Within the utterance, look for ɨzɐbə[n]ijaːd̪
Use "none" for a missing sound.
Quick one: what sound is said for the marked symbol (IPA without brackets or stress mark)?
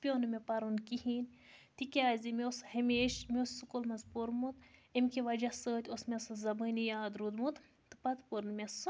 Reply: n